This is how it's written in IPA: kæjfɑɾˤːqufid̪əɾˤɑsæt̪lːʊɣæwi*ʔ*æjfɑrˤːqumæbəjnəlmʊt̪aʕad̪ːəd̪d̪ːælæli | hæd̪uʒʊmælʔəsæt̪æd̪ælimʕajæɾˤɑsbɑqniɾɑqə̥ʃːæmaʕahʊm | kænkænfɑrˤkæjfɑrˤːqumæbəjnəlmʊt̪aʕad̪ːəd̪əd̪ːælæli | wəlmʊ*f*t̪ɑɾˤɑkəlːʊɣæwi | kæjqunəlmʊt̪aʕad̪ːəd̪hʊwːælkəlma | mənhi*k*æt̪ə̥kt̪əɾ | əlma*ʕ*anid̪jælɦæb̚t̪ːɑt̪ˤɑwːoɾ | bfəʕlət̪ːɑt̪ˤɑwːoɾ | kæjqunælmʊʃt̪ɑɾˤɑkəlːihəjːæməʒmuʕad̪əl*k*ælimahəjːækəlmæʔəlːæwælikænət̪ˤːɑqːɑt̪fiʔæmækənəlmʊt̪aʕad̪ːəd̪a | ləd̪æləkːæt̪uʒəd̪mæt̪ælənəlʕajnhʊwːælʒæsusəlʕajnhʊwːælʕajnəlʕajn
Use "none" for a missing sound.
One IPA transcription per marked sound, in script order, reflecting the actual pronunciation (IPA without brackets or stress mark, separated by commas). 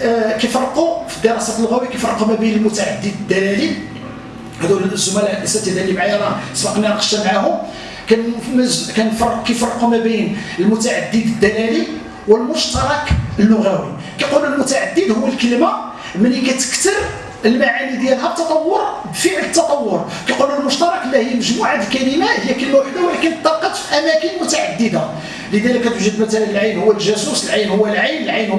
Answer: k, ʃ, k, ʕ, k